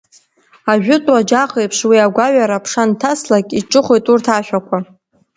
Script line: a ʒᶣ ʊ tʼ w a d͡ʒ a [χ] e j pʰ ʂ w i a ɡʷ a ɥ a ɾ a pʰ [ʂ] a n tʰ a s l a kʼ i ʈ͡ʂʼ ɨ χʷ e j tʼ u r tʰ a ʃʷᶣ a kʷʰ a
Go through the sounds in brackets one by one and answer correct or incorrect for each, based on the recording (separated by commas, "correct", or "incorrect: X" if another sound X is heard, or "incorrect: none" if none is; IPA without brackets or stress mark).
correct, correct